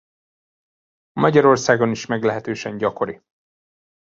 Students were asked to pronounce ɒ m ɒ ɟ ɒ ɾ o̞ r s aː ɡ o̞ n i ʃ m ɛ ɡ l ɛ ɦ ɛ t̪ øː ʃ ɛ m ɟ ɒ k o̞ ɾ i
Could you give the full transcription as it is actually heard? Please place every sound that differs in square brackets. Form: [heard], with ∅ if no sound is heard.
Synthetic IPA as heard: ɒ m ɒ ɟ ɒ ɾ o̞ r s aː ɡ o̞ n i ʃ m ɛ ɡ l ɛ ɦ ɛ t̪ øː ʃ ɛ [ɲ] ɟ ɒ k o̞ ɾ i